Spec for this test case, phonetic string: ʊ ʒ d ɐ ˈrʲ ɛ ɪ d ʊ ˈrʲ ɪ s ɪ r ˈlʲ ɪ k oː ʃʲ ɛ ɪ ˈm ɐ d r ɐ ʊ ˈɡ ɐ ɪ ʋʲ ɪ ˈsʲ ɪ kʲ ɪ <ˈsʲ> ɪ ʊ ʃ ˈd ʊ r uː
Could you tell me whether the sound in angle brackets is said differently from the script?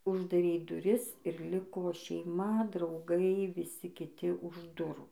yes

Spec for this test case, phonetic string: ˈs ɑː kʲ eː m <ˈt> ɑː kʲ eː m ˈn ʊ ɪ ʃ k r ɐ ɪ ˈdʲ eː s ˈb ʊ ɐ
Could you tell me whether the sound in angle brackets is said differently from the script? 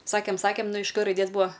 yes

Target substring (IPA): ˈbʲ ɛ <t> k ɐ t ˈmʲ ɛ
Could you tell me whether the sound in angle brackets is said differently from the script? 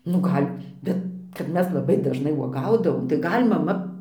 no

